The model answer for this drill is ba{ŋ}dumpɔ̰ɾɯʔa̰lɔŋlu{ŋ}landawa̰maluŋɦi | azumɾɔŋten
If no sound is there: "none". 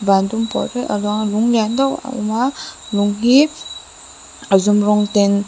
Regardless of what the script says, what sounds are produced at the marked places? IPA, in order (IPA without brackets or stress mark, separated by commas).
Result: n, ŋ